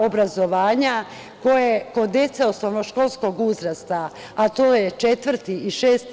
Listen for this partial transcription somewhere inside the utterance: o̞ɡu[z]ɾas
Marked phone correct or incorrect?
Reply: correct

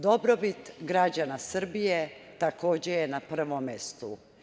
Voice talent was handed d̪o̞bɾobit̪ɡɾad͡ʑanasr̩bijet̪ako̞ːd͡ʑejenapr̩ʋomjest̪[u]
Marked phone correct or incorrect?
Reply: correct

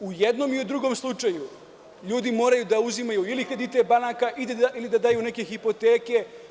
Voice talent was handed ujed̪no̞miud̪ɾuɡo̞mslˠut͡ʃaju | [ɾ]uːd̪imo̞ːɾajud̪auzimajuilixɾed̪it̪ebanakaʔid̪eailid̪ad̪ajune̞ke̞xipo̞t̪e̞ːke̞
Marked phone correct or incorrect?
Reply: incorrect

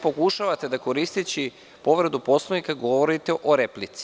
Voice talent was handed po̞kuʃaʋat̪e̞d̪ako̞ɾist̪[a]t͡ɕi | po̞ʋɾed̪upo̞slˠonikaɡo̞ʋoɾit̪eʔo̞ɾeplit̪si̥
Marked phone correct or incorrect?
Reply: incorrect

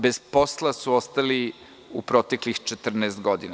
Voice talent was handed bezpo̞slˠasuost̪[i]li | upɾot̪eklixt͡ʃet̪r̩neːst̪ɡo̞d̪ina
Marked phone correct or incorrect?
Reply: incorrect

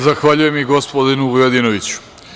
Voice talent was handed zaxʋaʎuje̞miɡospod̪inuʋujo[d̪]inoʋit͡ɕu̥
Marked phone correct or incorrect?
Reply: correct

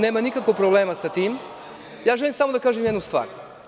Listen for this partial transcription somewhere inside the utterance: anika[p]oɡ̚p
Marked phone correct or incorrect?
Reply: incorrect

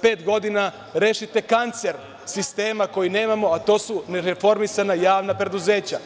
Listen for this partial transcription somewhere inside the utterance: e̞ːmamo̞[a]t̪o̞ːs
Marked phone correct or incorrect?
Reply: correct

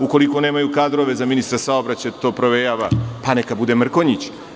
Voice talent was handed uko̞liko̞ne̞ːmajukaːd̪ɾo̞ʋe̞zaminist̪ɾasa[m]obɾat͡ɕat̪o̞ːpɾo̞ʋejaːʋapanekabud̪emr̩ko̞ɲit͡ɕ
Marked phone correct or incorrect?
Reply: incorrect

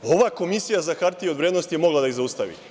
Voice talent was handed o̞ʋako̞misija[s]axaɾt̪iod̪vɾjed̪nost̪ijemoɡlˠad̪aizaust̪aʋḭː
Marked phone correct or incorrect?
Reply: incorrect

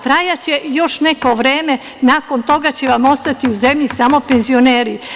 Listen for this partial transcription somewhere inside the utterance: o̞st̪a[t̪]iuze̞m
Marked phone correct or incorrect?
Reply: correct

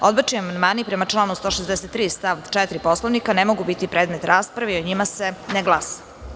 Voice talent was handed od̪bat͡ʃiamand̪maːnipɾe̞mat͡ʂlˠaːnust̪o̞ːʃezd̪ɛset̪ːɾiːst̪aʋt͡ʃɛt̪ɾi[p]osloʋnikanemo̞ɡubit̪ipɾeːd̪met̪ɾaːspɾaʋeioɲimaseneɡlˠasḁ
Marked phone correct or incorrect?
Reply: correct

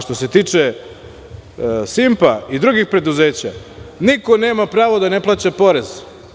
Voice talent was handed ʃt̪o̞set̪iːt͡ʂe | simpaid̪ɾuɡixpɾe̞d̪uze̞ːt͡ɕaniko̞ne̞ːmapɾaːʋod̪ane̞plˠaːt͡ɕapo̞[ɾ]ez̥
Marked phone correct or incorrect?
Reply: correct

